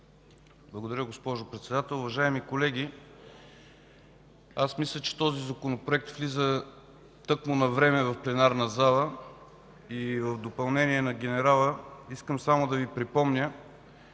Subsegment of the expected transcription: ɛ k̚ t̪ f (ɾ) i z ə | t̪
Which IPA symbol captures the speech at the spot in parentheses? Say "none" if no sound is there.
l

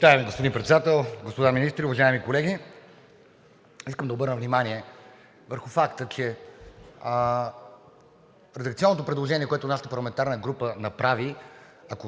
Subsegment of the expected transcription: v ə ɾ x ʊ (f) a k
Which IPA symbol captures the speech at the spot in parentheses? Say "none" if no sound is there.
f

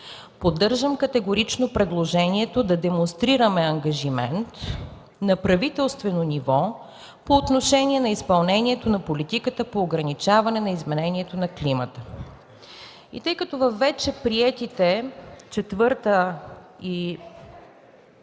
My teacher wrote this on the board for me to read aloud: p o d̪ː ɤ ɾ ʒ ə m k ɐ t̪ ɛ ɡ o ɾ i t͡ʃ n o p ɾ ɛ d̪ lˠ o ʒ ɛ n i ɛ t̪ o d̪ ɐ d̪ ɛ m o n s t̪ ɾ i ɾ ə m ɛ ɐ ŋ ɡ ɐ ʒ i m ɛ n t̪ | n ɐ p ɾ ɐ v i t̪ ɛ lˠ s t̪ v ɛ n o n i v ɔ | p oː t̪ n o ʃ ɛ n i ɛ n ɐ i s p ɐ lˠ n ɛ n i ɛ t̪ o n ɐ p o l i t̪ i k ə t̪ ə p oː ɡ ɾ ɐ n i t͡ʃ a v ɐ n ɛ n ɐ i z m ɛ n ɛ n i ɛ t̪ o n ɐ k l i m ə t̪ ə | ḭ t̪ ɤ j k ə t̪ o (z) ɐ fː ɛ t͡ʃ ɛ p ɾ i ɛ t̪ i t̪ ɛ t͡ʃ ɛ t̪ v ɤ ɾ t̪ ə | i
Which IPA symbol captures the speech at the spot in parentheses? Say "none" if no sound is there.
v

